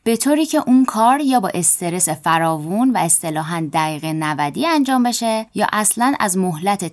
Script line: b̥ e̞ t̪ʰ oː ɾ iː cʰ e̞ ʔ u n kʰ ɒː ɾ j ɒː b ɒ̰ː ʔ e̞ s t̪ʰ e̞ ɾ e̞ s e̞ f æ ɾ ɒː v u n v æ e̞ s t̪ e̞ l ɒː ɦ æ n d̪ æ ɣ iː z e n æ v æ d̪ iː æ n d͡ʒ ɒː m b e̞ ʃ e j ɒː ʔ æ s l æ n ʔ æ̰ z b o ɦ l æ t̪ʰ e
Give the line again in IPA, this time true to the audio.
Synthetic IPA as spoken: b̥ e̞ t̪ʰ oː ɾ iː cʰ e̞ ʔ u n kʰ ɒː ɾ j ɒː b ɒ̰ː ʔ e̞ s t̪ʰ e̞ ɾ e̞ s e̞ f æ ɾ ɒː v u n v æ e̞ s t̪ e̞ l ɒː ɦ æ n d̪ æ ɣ iː ɣ e n æ v æ d̪ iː æ n d͡ʒ ɒː m b e̞ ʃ e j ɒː ʔ æ s l æ n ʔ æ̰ z m o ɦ l æ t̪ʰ e